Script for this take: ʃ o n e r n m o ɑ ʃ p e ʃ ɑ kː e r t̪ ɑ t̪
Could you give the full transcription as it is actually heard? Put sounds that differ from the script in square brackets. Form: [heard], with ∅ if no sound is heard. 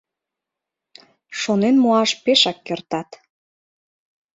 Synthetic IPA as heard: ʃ o n e [∅] n m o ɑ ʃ p e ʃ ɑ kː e r t̪ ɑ t̪